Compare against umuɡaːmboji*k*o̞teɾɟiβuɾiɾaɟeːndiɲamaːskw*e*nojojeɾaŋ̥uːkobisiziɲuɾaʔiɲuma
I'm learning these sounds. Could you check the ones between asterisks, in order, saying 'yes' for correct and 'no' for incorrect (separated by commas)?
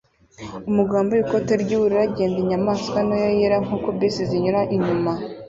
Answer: yes, no